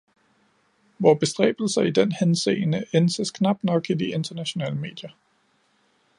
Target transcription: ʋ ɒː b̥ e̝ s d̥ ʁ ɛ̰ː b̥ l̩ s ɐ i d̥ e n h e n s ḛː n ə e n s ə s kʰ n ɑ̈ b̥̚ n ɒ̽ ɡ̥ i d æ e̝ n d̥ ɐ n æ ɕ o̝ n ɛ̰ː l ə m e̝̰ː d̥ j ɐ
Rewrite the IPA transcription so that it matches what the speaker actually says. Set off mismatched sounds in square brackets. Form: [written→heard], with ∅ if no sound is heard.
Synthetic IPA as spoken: ʋ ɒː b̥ e̝ s d̥ ʁ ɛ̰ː b̥ l̩ s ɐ i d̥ e n h e n s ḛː n ə e n s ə s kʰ n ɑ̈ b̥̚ n ɒ̽ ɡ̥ i d [æ→i] e̝ n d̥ ɐ n æ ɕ o̝ n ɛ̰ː l ə m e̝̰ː d̥ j ɐ